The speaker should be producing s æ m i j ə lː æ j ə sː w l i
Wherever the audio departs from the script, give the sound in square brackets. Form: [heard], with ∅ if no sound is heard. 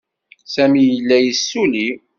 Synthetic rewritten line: s æ m i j ə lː æ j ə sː [u] l i